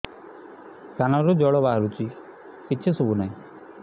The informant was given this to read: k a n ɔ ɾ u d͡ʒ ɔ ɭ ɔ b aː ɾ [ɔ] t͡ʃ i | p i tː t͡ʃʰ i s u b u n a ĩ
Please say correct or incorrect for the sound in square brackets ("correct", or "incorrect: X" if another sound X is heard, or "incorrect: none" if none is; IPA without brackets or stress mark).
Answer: incorrect: u